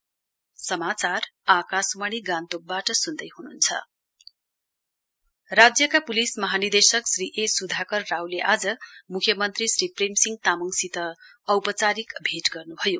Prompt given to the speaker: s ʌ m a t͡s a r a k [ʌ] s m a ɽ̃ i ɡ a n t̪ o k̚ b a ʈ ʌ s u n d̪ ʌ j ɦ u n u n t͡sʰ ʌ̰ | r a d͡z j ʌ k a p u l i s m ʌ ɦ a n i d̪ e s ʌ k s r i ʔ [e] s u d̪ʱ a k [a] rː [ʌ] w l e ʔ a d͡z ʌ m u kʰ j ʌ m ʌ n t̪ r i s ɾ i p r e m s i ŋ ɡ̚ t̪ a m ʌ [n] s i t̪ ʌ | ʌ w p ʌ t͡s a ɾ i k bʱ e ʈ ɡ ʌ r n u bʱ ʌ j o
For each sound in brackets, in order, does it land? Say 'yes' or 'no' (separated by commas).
no, yes, no, no, no